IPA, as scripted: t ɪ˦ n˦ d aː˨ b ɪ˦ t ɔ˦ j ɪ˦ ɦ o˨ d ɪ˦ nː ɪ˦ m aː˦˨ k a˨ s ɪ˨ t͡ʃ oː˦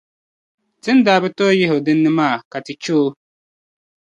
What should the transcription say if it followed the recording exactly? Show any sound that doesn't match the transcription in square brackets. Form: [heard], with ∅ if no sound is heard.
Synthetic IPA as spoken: t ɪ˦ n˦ d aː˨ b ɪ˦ t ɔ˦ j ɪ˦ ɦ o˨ d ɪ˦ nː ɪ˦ m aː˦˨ k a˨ [t] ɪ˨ t͡ʃ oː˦